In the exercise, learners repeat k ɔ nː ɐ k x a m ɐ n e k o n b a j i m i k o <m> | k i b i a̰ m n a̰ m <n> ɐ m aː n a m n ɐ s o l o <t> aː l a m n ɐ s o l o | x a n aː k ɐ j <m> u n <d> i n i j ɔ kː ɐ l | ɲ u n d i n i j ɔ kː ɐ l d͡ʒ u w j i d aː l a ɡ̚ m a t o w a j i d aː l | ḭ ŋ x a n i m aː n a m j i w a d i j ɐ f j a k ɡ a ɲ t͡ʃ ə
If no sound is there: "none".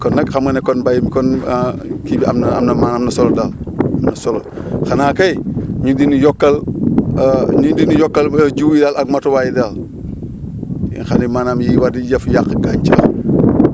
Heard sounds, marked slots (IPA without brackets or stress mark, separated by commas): n, n, d, ɲ, d